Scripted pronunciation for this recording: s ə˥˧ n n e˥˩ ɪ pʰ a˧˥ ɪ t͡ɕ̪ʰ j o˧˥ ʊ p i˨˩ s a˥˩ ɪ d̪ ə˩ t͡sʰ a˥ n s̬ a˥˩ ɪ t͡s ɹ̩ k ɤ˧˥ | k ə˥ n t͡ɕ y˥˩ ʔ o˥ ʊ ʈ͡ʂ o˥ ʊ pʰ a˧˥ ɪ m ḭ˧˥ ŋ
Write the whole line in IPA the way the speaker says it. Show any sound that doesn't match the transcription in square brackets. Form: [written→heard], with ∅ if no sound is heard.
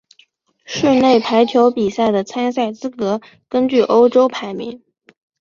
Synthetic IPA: [s→ʂ] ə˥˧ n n e˥˩ ɪ pʰ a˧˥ ɪ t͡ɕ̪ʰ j o˧˥ ʊ p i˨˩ s a˥˩ ɪ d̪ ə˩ t͡sʰ a˥ n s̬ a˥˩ ɪ t͡s ɹ̩ k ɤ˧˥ | k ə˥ n t͡ɕ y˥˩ ʔ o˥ ʊ ʈ͡ʂ o˥ ʊ pʰ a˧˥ ɪ m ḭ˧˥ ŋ